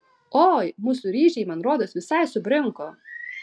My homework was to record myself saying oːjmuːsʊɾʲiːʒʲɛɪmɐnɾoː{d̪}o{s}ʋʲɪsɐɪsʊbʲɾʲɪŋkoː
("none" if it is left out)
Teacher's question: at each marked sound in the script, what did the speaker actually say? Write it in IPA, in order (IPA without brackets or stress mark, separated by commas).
d̪, s